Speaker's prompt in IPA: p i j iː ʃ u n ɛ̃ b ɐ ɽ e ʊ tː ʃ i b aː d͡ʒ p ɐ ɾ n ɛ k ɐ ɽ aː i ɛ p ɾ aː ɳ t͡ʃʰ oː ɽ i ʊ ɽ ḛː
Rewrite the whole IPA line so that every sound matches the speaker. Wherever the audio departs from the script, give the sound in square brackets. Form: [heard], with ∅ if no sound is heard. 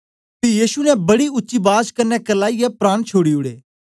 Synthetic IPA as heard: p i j iː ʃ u n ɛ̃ b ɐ ɽ [i] ʊ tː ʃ i b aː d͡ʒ [k] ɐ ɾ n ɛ k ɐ [l] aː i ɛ p ɾ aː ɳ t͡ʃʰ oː ɽ i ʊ ɽ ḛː

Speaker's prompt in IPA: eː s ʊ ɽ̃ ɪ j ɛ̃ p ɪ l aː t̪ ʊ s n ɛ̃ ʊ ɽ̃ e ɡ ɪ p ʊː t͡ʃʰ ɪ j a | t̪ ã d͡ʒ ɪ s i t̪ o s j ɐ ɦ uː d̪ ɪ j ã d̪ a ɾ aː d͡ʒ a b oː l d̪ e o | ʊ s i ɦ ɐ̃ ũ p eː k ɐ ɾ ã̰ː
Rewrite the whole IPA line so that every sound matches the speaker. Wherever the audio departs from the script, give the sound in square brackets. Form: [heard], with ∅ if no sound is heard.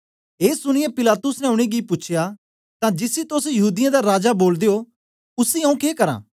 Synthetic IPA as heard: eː s ʊ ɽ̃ ɪ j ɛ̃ p ɪ l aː t̪ ʊ s n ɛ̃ ʊ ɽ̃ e ɡ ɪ p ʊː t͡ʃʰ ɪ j a | t̪ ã d͡ʒ ɪ s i t̪ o s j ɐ ɦ uː d̪ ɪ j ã d̪ a ɾ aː d͡ʒ a b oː l d̪ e o | ʊ s i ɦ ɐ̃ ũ [k] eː k ɐ ɾ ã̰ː

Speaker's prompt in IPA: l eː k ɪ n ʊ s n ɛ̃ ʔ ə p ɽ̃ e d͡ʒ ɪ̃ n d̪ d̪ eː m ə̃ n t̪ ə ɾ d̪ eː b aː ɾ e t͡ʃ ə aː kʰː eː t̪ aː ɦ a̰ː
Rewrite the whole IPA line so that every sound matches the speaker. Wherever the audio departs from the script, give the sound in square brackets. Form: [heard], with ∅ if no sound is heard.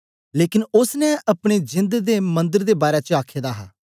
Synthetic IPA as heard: l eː k ɪ n ʊ s n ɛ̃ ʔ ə p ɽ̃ e d͡ʒ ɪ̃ n d̪ d̪ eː m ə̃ n [d̪] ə ɾ d̪ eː b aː ɾ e t͡ʃ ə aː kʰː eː [d̪] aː ɦ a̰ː

